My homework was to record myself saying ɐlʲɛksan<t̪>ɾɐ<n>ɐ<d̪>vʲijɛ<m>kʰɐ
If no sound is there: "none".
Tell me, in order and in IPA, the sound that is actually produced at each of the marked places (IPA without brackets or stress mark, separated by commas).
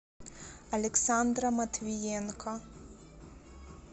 d̪, m, t̪, n